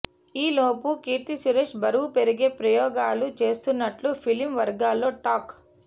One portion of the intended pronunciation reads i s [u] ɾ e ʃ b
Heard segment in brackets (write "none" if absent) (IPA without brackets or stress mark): u